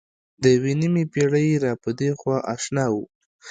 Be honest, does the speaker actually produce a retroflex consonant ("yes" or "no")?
yes